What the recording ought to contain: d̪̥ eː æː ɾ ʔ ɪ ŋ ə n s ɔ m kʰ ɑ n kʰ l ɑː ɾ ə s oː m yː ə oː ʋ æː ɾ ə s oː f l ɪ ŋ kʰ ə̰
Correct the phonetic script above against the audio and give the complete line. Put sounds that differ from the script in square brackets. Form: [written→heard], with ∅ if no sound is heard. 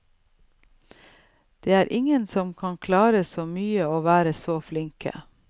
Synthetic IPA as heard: d̪̥ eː æː ɾ ʔ ɪ ŋ ə n s ɔ m kʰ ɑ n kʰ l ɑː ɾ ə s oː m yː ə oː ʋ æː ɾ ə s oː f l ɪ ŋ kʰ ə̰